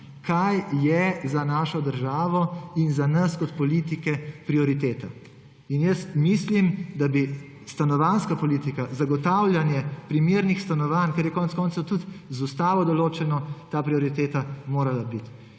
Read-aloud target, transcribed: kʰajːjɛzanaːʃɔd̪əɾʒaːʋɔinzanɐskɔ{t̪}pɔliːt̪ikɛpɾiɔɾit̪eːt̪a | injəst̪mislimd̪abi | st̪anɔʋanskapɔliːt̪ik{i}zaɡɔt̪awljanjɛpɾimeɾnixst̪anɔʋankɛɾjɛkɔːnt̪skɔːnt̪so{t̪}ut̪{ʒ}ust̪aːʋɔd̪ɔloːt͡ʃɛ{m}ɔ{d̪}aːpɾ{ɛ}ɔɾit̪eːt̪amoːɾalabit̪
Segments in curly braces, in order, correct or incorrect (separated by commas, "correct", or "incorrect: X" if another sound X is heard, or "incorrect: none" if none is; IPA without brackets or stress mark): correct, incorrect: a, correct, incorrect: z, incorrect: n, incorrect: t̪, incorrect: i